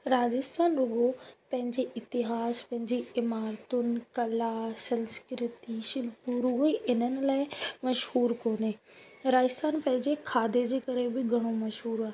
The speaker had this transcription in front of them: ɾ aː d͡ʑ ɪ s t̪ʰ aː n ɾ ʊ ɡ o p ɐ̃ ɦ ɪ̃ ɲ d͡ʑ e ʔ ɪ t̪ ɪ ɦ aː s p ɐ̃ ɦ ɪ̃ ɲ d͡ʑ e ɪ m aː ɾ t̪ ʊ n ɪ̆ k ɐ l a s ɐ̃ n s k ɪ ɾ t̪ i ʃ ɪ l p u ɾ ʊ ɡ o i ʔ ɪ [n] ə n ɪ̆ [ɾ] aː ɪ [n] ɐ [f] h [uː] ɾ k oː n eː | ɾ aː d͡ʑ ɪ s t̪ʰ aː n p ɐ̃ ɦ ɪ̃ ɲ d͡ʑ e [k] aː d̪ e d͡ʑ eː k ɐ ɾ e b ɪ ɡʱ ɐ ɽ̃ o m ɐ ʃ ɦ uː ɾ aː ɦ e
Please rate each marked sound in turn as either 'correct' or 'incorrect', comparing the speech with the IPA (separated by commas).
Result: correct, incorrect, incorrect, incorrect, correct, incorrect